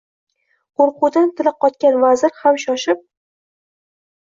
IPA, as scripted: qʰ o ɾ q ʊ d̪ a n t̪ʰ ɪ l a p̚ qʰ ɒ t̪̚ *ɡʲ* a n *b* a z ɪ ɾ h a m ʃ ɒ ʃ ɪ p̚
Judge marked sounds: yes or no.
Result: no, no

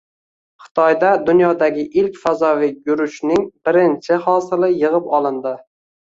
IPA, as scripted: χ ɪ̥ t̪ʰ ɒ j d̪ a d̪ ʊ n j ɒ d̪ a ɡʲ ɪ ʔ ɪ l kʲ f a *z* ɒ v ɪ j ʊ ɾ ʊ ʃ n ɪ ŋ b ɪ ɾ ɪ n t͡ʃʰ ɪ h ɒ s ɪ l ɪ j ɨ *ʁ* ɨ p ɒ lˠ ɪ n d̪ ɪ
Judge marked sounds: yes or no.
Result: yes, yes

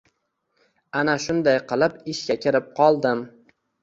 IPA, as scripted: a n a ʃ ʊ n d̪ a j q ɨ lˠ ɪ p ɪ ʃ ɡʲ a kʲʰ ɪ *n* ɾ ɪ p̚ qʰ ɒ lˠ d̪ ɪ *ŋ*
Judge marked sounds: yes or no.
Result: no, no

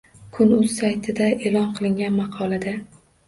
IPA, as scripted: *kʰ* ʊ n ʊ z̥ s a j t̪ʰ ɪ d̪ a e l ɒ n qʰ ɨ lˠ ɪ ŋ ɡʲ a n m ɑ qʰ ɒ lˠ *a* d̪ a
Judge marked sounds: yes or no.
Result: yes, yes

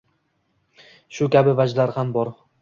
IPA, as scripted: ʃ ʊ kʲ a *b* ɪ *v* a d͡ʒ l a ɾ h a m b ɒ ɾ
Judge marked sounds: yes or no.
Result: yes, yes

